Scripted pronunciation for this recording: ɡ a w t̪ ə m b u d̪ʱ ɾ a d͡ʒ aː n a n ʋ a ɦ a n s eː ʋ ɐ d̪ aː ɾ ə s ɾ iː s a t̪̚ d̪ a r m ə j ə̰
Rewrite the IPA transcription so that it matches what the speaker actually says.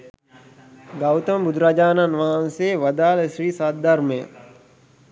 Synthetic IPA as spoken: ɡ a w t̪ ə m b u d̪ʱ ɾ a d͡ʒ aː n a n ʋ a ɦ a n s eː ʋ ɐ d̪ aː l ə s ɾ iː s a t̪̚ d̪ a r m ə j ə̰

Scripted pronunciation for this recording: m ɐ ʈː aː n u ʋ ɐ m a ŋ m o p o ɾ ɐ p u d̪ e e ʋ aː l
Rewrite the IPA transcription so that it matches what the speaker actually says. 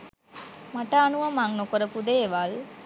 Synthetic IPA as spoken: m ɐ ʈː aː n u ʋ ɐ m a ŋ n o k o ɾ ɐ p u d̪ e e ʋ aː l

